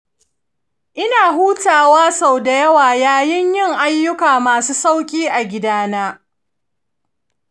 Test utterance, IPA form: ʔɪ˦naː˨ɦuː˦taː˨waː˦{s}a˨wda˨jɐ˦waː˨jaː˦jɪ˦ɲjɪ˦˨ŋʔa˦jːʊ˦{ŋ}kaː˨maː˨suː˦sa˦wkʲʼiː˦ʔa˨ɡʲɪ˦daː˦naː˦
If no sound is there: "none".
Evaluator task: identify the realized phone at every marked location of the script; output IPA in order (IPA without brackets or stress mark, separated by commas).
s, none